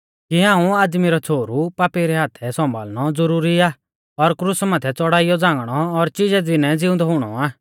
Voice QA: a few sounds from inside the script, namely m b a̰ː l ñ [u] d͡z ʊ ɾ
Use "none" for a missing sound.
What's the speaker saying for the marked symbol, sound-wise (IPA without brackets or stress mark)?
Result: ɔ